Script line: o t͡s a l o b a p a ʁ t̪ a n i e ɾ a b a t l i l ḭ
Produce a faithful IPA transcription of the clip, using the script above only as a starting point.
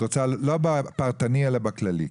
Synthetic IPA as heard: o t͡s a l o b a p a ʁ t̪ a n i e l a b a k l a l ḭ